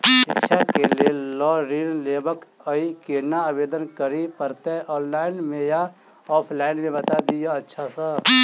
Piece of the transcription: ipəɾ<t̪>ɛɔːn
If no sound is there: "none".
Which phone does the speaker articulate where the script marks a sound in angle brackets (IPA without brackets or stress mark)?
t̪